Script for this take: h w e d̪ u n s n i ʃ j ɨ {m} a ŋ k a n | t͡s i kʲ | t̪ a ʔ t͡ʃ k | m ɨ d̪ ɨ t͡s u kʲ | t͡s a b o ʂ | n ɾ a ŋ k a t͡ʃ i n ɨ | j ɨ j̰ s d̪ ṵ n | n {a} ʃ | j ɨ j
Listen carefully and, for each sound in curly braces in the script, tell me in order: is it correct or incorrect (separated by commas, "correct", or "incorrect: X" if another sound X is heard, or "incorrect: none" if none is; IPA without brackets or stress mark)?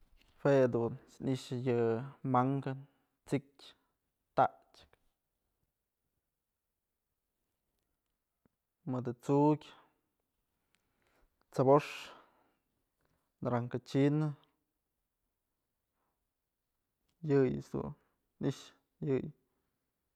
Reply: correct, incorrect: i